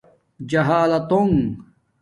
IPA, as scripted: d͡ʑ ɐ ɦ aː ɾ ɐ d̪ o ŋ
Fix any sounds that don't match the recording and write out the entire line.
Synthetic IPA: d͡ʑ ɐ ɦ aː l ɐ t̪ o ŋ